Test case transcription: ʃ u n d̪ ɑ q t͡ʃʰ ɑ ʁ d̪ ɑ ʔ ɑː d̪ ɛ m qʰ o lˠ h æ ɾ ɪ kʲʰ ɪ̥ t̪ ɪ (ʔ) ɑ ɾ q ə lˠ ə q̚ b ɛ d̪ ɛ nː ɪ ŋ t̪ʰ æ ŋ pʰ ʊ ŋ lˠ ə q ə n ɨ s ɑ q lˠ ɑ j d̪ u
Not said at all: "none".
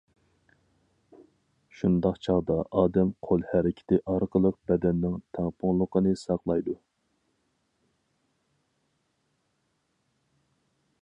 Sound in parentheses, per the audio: ʔ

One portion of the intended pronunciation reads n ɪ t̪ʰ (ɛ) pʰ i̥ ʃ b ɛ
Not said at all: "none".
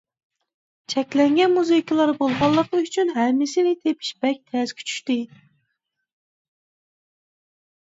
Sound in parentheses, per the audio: e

